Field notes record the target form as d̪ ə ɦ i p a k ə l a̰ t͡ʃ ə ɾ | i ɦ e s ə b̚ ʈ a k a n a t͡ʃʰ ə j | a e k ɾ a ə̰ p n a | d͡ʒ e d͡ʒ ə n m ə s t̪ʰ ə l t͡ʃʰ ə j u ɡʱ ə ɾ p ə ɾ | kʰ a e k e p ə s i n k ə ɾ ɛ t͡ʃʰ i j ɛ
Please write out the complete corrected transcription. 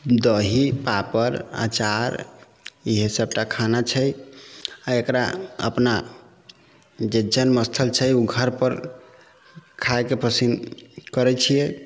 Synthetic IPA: d̪ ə ɦ i p a p ə ɾ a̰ t͡ʃ a ɾ | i ɦ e s ə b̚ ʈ a kʰ a n a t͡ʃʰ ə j | a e k ɾ a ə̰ p n a | d͡ʒ e d͡ʒ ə n m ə s t̪ʰ ə l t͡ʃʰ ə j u ɡʱ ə ɾ p ə ɾ | kʰ a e k e p ə s i n k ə ɾ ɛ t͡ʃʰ i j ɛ

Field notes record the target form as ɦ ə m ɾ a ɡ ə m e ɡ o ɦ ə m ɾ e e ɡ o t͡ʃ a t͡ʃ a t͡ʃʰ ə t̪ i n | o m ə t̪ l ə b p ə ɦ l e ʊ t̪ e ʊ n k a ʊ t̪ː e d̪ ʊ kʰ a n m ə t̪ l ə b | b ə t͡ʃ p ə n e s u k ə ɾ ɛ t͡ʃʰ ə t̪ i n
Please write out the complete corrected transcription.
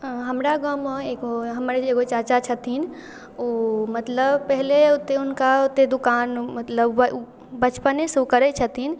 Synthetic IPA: ɦ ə m ɾ a ɡ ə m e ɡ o ɦ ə m ɾ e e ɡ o t͡ʃ a t͡ʃ a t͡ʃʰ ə t̪ i n | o m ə t̪ l ə b p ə ɦ l e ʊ t̪ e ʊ n k a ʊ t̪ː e d̪ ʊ k a n m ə t̪ l ə b | b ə t͡ʃ p ə n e s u k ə ɾ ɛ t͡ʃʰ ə t̪ i n

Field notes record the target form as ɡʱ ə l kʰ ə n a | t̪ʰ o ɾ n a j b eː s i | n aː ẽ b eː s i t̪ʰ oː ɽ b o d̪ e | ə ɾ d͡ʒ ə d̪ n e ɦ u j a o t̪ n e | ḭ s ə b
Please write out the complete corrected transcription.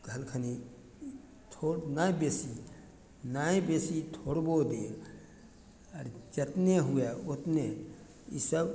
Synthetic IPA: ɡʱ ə l kʰ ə n i | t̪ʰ o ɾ n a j b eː s i | n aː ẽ b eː s i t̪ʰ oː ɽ b o d̪ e | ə ɾ d͡ʒ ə t̪ n e ɦ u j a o t̪ n e | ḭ s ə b

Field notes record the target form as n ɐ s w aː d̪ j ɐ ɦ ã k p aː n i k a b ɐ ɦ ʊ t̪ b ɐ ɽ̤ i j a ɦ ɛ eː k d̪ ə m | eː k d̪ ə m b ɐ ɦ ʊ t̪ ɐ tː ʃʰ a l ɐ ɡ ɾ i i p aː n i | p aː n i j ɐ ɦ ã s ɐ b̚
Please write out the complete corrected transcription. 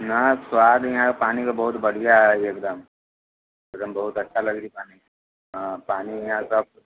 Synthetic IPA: n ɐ s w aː d̪ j ɐ ɦ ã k p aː n i k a b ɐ ɦ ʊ t̪ b ɐ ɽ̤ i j a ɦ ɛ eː k d̪ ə m | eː k d̪ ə m b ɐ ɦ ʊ t̪ ɐ tː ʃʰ a l ɐ ɡ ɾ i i p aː n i | p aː n i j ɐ ɦ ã s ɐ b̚

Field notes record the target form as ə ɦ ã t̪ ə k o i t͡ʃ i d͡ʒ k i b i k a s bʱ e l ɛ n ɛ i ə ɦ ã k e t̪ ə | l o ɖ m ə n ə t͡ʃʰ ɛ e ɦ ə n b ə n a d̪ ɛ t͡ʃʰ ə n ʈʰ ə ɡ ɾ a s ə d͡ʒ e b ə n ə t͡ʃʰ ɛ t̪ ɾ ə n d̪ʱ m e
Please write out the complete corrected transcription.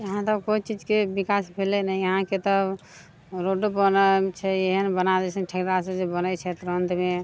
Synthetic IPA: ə ɦ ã t̪ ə k o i t͡ʃ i d͡ʒ k e b i k a s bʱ e l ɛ n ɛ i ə ɦ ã k e t̪ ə | ɾ o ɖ b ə n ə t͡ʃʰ ɛ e ɦ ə n b ə n a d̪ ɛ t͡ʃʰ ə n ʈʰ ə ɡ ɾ a s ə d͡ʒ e b ə n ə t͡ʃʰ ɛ t̪ ɾ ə n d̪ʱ m e

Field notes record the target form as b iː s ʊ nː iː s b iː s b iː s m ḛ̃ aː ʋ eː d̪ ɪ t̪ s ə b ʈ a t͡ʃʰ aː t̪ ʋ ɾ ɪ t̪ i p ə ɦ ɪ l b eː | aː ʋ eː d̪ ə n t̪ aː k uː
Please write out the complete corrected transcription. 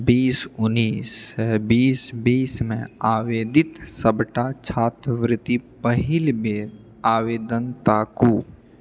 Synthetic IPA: b iː s ʊ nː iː s b iː s b iː s m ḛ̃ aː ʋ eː d̪ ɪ t̪ s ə b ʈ a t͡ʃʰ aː t̪ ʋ ɾ ɪ t̪ i p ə ɦ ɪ l b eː | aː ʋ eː d̪ ə n t̪ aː k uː

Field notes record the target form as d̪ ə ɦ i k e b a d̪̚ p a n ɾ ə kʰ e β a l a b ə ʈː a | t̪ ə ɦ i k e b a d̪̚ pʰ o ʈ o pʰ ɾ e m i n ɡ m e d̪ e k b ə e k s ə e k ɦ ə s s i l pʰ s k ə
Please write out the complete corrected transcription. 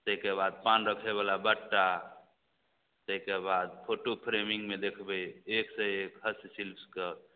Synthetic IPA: t̪ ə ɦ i k e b a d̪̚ p a n ɾ ə kʰ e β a l a b ə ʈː a | t̪ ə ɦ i k e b a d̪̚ pʰ o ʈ o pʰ ɾ e m i ŋ ɡ m e d̪ e kʰ b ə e k s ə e k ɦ ə s s i l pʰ s k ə

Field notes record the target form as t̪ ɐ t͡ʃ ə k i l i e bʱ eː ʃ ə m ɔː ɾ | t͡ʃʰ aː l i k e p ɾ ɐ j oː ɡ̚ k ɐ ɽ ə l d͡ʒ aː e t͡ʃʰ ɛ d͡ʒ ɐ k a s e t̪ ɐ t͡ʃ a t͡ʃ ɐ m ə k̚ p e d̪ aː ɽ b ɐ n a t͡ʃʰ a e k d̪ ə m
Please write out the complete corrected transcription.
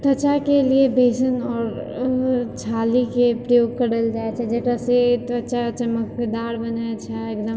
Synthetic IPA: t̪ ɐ t͡ʃ a k e l i e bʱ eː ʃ ə n ɔː ɾ | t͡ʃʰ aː l i k e p ɾ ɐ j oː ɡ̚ k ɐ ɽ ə l d͡ʒ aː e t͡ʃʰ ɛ d͡ʒ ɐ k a s e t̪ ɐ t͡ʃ a t͡ʃ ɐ m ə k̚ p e d̪ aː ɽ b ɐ n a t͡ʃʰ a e k d̪ ə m

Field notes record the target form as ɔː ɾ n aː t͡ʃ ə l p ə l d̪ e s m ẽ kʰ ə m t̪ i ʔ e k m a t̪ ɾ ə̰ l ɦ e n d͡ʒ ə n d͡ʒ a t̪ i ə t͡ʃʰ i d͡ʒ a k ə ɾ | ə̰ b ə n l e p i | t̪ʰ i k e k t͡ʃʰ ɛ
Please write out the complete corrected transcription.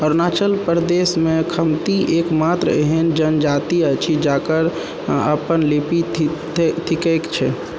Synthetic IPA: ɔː ɾ n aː t͡ʃ ə l p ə ɾ d̪ e s m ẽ kʰ ə m t̪ i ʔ e k m a t̪ ɾ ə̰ ɦ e n d͡ʒ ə n d͡ʒ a t̪ i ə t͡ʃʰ i d͡ʒ a k ə ɾ | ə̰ p ə n l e p i | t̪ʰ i k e k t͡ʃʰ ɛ

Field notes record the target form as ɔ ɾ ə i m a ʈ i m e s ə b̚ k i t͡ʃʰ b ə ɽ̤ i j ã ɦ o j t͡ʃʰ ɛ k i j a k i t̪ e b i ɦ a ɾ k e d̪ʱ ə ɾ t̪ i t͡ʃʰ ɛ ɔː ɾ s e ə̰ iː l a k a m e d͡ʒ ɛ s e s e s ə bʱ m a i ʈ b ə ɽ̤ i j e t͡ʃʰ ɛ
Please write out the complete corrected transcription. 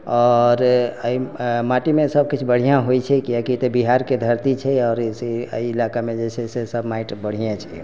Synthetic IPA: ɔ ɾ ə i m a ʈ i m e s ə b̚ k i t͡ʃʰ b ə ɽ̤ i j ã ɦ o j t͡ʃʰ ɛ k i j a k i t̪ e b i ɦ a ɾ k e d̪ʱ ə ɾ t̪ i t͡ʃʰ ɛ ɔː ɾ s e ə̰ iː l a k a m e d͡ʒ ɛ s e s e s ə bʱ m a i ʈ b ə ɽ̤ i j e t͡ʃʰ ɛ

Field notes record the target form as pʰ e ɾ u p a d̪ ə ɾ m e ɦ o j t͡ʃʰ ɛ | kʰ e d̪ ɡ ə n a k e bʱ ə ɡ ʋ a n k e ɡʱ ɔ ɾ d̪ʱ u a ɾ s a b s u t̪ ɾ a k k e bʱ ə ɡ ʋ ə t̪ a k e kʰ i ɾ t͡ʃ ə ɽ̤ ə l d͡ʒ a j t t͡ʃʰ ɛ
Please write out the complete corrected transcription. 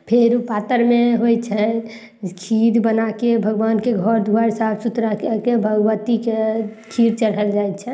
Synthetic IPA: pʰ e ɾ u p a t̪ ə ɾ m e ɦ o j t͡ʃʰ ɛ | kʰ i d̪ b ə n a k e bʱ ə ɡ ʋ a n k e ɡʱ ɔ ɾ d̪ʱ u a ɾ s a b s u t̪ ɾ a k k e bʱ ə ɡ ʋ ə t̪ i k e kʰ i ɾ t͡ʃ ə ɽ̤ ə l d͡ʒ a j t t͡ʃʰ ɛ

